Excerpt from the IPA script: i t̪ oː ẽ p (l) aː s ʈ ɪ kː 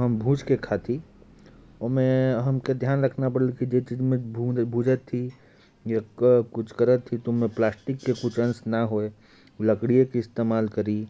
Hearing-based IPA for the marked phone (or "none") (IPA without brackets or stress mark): l